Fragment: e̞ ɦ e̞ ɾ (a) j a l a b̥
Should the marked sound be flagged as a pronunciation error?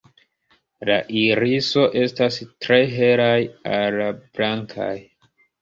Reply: no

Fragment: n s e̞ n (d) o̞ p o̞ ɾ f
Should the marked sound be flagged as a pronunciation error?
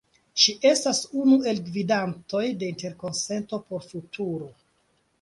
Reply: yes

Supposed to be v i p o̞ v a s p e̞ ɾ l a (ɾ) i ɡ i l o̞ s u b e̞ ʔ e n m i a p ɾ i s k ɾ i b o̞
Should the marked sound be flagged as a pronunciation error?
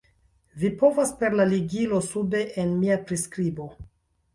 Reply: yes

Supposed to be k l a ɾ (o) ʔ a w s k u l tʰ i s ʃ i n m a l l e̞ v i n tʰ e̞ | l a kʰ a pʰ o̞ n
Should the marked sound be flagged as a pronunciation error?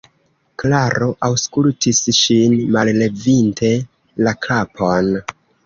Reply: no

